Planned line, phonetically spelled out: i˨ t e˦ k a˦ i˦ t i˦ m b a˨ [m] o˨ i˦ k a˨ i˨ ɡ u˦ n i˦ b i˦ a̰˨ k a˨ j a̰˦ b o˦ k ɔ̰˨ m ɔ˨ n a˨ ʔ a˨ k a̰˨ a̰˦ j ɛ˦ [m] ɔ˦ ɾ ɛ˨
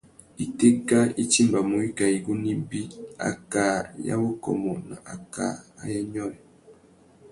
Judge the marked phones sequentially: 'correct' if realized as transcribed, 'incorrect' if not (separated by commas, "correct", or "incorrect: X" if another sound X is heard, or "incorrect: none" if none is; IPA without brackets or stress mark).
correct, incorrect: ɲ